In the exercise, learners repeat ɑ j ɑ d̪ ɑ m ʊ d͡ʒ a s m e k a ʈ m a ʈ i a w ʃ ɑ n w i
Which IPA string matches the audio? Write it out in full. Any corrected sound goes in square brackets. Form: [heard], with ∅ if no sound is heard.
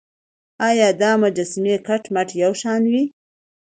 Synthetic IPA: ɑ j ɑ d̪ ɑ m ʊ d͡ʒ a s m e k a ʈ m a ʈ [j] a w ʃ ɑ n w i